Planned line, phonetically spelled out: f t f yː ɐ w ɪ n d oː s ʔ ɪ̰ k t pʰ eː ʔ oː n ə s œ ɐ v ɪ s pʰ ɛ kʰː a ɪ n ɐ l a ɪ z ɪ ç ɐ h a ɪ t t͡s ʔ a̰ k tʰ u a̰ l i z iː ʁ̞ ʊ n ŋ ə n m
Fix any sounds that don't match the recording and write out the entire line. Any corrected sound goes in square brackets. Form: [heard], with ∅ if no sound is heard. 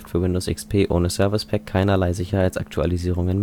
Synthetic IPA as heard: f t f yː ɐ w ɪ n d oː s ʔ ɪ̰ k [s] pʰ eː ʔ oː n ə s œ ɐ v ɪ s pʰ ɛ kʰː a ɪ n ɐ l a ɪ z ɪ ç ɐ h a ɪ t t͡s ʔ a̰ k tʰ u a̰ l i z iː ʁ̞ ʊ [∅] ŋ ə n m